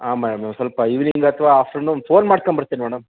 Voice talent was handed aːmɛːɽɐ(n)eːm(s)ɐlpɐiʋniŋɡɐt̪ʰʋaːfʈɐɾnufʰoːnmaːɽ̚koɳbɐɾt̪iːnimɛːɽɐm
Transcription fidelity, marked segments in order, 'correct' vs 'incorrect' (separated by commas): incorrect, correct